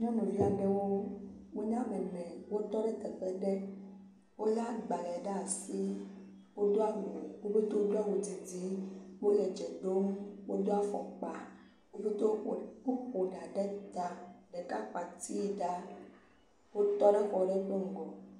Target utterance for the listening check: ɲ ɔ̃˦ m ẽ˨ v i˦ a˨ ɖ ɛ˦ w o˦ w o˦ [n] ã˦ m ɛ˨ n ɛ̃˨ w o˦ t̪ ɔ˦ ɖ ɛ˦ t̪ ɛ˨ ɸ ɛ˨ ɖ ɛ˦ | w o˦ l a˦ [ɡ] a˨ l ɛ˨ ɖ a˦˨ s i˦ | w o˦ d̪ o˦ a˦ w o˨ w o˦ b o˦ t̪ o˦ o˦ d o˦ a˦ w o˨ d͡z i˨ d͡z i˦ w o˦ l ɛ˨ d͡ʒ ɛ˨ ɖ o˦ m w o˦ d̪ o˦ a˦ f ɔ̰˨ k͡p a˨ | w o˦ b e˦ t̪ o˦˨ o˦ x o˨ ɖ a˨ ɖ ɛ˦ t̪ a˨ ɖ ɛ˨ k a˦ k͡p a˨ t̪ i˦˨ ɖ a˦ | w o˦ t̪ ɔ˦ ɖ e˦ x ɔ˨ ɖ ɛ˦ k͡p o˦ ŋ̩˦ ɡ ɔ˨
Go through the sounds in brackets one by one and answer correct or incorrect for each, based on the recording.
incorrect, incorrect

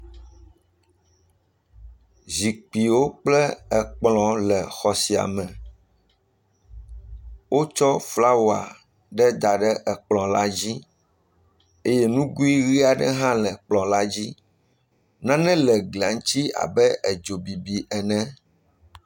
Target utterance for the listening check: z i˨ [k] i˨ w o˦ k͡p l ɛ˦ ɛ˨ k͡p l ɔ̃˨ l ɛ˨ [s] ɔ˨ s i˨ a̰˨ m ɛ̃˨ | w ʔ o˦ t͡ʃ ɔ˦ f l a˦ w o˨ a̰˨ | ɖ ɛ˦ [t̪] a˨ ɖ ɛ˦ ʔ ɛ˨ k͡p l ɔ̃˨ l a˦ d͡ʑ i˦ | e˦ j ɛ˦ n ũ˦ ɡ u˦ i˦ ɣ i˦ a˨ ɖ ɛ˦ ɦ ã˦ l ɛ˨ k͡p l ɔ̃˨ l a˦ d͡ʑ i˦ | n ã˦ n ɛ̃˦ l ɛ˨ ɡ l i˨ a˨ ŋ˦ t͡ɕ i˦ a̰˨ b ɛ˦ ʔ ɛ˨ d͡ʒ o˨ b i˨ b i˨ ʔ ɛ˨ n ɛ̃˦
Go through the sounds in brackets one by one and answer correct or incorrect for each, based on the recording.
incorrect, incorrect, incorrect

